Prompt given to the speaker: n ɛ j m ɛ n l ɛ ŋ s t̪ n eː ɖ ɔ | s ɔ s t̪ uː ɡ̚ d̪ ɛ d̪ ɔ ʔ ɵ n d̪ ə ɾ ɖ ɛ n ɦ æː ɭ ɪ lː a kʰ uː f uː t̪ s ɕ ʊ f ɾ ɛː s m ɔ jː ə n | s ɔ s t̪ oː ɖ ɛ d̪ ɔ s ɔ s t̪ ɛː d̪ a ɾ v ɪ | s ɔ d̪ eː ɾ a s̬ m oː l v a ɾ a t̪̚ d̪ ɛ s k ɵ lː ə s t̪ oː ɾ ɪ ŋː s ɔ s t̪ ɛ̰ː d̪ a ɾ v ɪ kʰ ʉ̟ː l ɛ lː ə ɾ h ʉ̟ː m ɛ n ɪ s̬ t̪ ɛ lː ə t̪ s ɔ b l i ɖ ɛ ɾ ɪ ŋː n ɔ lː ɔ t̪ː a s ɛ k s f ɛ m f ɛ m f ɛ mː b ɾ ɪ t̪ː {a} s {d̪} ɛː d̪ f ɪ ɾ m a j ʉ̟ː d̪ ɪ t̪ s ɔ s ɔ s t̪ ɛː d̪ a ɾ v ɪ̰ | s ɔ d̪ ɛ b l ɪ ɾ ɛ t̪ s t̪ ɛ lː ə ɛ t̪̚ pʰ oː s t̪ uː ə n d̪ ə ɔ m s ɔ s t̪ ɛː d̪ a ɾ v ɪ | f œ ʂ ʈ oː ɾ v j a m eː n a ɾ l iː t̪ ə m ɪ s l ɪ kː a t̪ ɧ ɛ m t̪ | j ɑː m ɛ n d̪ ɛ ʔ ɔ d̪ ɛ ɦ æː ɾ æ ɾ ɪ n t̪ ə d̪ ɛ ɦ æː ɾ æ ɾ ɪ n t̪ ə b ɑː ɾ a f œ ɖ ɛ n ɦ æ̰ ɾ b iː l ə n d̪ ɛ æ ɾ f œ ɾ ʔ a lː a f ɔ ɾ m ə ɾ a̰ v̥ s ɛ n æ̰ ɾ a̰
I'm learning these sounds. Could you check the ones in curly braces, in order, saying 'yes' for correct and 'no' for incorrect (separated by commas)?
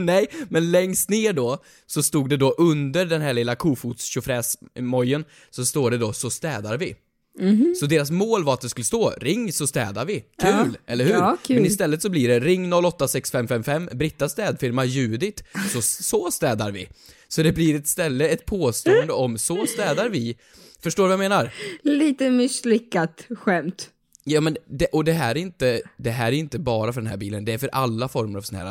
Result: yes, no